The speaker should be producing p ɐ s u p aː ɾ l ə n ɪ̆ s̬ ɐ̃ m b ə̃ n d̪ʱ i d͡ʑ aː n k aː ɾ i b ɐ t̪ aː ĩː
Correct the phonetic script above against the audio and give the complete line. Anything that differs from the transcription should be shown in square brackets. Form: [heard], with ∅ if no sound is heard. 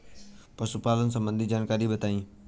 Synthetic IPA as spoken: p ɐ s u p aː [∅] l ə n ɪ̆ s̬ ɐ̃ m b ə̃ n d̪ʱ i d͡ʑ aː n k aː ɾ i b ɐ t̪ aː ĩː